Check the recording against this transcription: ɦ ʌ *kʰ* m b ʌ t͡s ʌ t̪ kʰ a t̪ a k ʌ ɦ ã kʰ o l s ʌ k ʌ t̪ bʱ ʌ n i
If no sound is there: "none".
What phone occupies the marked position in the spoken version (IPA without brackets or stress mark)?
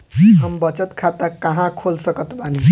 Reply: none